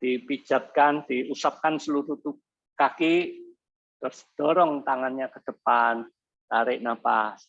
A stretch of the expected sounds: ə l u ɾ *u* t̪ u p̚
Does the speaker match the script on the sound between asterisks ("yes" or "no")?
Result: yes